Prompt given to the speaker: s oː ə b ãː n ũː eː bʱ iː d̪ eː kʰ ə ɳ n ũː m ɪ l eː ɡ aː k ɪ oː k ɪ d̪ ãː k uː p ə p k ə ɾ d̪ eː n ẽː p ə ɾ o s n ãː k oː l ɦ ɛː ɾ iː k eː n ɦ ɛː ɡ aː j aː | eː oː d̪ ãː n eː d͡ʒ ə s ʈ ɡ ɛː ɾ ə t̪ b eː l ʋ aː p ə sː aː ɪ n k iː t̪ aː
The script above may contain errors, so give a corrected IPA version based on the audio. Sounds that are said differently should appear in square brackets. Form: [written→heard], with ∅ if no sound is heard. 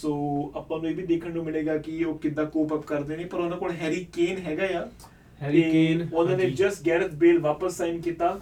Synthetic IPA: s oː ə [b→p] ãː n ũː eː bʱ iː d̪ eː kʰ ə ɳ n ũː m ɪ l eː ɡ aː k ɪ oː k ɪ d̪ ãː k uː p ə p k ə ɾ d̪ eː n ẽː p ə ɾ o [s→∅] n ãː k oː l ɦ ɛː ɾ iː k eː n ɦ ɛː ɡ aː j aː | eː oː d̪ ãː n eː d͡ʒ ə s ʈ ɡ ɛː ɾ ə t̪ b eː l ʋ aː p ə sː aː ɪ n k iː t̪ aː